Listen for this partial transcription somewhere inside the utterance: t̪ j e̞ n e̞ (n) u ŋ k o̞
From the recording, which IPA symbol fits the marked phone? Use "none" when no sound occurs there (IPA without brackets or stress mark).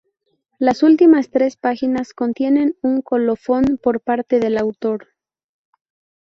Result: n